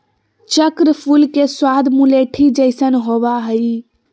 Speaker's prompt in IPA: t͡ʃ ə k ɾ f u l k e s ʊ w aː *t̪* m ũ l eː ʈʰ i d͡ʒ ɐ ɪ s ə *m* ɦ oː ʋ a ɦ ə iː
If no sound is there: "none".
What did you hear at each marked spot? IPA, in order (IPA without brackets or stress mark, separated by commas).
d̪, n